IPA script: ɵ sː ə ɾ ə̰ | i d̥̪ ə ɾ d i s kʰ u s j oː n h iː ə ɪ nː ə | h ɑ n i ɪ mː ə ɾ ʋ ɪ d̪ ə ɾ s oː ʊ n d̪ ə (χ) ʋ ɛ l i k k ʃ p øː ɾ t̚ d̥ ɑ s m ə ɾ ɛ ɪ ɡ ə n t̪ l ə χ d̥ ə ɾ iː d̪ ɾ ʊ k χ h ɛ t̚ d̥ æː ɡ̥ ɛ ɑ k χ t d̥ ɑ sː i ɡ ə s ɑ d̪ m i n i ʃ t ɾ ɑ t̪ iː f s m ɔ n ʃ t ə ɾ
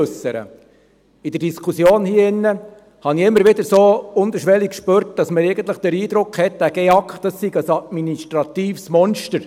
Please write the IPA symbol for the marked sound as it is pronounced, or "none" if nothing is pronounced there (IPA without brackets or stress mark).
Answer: ʃ